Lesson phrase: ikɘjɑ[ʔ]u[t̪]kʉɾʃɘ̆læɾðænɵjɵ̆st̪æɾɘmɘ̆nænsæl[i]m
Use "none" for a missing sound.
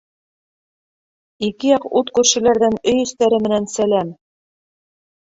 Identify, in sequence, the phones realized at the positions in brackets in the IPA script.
q, t̪, æ

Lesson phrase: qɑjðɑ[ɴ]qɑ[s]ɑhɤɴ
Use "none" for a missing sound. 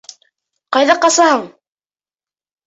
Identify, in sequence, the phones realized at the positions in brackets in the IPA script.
none, s

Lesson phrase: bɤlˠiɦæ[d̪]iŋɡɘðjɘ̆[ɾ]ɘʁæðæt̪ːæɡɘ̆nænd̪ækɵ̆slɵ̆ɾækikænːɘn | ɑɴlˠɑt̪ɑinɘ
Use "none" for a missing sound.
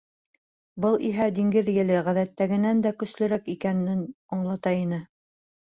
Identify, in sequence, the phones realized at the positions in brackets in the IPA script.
d̪, l

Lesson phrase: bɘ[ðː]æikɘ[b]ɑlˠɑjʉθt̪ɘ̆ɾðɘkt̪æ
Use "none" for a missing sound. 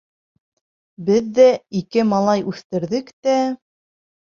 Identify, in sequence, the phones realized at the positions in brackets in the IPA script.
ðː, m

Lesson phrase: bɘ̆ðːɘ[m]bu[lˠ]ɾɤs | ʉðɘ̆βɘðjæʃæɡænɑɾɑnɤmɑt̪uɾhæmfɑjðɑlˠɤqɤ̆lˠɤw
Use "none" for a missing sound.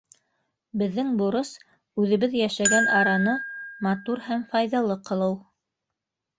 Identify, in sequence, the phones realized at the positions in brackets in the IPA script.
ŋ, none

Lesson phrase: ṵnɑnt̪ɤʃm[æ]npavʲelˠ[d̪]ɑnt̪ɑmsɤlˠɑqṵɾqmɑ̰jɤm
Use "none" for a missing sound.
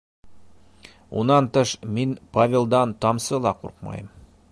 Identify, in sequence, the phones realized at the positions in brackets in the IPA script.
i, d̪

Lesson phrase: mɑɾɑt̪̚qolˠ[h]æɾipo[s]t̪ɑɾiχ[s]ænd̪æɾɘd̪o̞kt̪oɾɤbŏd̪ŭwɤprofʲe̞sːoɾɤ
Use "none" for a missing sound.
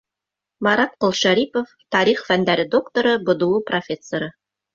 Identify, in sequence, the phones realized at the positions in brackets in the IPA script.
ʃ, f, f

